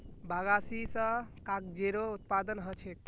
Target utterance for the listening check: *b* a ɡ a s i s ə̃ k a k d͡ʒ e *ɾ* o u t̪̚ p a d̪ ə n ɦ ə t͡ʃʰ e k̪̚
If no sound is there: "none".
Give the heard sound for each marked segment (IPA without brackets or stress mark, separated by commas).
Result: b, ɾ